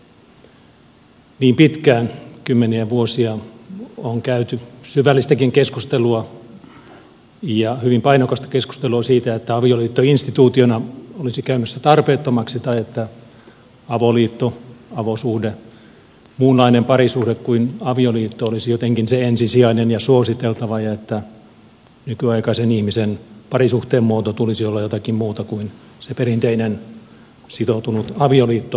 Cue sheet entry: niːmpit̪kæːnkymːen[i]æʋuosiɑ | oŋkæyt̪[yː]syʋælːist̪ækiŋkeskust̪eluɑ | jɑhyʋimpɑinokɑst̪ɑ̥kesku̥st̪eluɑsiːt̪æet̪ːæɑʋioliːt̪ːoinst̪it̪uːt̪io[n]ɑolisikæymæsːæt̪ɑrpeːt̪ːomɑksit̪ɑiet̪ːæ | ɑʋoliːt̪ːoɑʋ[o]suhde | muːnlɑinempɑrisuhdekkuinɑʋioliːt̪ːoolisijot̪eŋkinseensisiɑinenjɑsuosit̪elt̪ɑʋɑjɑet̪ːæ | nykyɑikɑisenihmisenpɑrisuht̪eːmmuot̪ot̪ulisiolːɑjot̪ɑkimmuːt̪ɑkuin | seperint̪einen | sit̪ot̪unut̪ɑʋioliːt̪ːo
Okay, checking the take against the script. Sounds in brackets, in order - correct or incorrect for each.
correct, incorrect, correct, correct

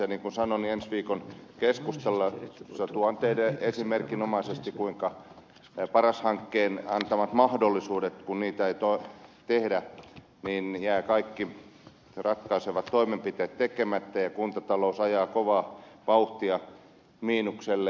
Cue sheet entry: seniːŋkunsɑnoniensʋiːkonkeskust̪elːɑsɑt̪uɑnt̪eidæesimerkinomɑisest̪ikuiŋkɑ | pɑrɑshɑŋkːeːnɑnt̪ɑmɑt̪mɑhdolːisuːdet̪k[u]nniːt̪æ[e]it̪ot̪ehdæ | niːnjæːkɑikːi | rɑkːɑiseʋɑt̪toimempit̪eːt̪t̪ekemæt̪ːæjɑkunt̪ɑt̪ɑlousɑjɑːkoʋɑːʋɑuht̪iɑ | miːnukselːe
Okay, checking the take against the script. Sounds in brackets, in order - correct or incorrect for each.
correct, correct

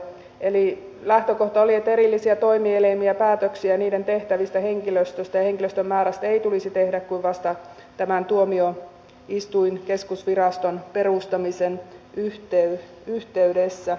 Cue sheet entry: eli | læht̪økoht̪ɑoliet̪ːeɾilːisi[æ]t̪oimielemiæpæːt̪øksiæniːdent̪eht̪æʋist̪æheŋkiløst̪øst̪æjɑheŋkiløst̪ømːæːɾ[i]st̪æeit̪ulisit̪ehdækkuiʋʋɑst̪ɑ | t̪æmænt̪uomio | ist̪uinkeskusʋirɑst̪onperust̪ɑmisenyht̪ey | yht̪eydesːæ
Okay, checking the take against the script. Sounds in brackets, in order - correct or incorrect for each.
correct, incorrect

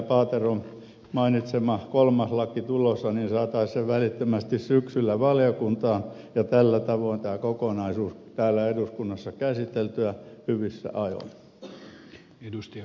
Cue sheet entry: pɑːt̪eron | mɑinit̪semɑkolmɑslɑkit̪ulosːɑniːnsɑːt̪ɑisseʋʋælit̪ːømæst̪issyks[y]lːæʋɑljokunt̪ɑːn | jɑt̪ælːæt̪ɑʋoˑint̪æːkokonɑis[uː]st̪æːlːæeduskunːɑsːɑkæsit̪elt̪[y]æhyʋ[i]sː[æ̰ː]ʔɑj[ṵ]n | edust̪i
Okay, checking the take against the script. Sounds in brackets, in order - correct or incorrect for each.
correct, correct, correct, correct, incorrect, incorrect

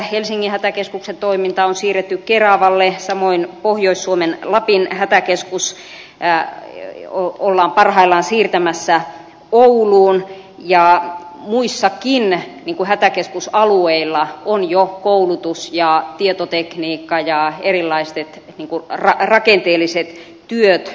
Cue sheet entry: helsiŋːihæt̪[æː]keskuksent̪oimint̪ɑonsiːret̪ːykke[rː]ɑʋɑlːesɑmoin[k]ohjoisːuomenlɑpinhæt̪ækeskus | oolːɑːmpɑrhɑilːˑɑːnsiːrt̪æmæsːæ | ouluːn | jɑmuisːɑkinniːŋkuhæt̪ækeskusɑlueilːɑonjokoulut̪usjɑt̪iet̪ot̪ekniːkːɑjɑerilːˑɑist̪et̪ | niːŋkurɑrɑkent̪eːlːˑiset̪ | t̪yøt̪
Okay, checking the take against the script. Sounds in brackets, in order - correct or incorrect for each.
incorrect, incorrect, incorrect

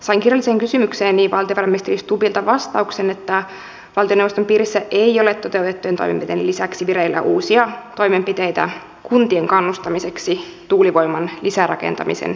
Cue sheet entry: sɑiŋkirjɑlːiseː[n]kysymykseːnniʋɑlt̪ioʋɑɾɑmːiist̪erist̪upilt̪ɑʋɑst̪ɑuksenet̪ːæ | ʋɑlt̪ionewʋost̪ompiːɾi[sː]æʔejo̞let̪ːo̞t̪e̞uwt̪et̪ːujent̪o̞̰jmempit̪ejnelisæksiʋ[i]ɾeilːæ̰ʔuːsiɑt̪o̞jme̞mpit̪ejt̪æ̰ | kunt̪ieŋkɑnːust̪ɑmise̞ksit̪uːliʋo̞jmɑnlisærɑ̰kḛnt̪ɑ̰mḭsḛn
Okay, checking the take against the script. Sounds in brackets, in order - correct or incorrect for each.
incorrect, correct, correct

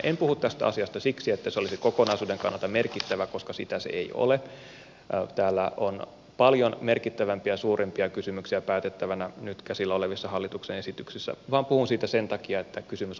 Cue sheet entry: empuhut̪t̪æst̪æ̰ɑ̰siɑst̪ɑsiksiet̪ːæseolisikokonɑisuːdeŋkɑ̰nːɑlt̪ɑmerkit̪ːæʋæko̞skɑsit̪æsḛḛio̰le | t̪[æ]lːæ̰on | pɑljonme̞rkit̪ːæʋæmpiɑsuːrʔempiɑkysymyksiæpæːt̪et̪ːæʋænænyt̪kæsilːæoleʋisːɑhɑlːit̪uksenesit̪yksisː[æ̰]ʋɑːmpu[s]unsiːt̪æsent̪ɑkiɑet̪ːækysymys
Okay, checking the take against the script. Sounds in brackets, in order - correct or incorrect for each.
incorrect, correct, incorrect

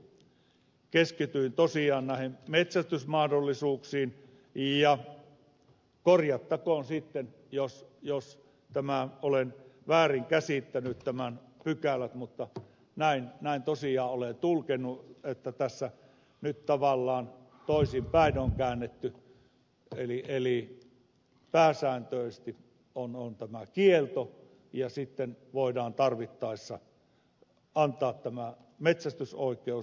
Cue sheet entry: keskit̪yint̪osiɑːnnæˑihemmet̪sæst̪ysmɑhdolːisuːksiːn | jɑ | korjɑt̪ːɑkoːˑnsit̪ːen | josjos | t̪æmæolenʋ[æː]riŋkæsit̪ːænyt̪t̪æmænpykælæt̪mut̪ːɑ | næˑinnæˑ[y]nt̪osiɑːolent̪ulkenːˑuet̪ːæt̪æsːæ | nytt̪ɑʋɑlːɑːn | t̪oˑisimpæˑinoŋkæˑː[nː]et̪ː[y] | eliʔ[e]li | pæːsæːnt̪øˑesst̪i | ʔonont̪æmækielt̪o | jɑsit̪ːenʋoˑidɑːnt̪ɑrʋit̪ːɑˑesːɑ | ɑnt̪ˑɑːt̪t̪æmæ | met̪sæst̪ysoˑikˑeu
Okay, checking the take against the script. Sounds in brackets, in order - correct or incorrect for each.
correct, incorrect, correct, correct, correct

